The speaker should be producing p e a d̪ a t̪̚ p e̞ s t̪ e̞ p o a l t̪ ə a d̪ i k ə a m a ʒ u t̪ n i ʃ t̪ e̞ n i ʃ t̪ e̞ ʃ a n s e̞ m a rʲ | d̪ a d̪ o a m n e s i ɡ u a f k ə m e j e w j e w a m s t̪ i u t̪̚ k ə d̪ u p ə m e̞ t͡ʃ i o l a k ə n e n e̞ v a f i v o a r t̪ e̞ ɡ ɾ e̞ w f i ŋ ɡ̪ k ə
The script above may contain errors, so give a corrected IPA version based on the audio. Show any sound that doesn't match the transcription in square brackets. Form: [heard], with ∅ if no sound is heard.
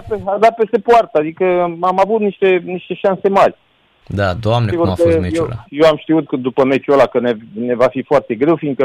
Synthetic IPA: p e a d̪ a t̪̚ p e̞ s t̪ e̞ p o a [r] t̪ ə a d̪ i k ə a m a [v] u t̪ n i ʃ t̪ e̞ n i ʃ t̪ e̞ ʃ a n s e̞ m a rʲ | d̪ a d̪ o a m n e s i ɡ u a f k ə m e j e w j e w a m [ʃ] t̪ i u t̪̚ k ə d̪ u p ə m e̞ t͡ʃ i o l a k ə n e n e̞ v a f i [f] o a r t̪ e̞ ɡ ɾ e̞ w f i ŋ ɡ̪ k ə